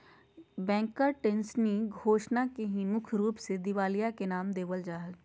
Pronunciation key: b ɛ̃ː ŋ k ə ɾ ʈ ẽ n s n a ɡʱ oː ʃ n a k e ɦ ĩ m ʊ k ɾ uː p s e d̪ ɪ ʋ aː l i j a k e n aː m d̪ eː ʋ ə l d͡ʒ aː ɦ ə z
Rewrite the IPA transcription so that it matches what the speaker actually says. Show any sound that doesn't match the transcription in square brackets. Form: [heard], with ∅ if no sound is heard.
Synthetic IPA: b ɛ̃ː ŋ k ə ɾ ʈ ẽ n s n [i] ɡʱ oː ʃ n a k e ɦ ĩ m ʊ [kʰ] ɾ uː p s e d̪ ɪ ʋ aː l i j a k e n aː m d̪ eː ʋ ə l d͡ʒ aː ɦ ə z